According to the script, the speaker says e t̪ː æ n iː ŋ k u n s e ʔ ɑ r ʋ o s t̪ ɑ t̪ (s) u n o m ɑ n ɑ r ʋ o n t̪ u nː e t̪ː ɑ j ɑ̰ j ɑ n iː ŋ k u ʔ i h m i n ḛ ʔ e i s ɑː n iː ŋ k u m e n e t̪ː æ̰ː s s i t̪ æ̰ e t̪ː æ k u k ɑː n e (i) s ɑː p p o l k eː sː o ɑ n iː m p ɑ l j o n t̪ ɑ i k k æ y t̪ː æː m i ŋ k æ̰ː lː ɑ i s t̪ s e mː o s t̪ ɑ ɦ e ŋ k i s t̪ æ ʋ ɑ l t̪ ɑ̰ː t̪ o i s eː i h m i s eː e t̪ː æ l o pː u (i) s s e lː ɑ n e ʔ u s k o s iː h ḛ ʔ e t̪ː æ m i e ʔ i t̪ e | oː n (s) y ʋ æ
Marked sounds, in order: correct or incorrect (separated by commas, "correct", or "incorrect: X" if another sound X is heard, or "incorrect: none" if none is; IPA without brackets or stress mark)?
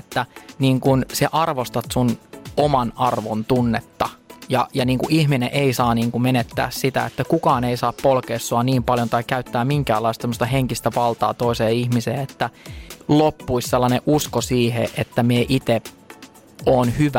correct, correct, correct, incorrect: h